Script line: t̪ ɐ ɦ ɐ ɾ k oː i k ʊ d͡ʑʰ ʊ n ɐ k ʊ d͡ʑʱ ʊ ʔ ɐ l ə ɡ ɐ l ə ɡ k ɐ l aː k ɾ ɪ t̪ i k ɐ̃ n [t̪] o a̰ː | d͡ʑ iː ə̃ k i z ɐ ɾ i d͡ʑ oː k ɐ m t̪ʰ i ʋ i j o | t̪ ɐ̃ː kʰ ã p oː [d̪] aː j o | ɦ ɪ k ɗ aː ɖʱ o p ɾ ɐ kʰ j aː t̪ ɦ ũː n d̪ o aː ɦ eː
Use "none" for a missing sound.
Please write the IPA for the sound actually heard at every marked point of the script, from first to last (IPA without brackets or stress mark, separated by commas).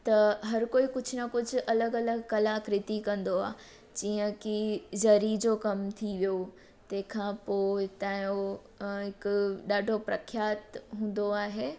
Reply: d̪, t̪